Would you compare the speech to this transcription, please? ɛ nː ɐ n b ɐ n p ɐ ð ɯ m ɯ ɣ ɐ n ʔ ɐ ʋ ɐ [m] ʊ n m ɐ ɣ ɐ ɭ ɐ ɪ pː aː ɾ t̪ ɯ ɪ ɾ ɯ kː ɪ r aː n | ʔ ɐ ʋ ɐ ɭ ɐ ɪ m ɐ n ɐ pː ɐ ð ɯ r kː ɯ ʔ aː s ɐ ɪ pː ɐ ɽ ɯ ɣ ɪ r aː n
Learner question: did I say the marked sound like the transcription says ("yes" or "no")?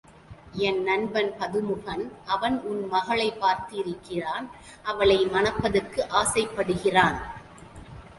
no